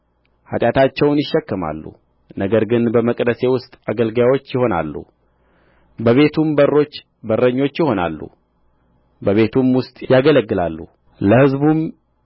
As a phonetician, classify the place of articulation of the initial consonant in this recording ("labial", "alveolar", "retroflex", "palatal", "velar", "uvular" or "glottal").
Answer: glottal